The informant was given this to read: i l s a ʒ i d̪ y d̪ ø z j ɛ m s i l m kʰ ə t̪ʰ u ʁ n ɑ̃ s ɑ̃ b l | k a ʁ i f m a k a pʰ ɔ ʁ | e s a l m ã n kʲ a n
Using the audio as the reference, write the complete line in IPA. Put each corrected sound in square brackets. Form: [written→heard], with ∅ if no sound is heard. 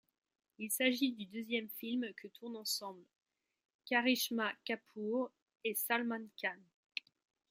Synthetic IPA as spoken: i l s a ʒ i d̪ y d̪ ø z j ɛ m [s→f] i l m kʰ ə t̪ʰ u ʁ n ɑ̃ s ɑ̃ b l | k a ʁ i [f→ʃ] m a k a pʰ [ɔ→u] ʁ | e s a l m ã n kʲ a n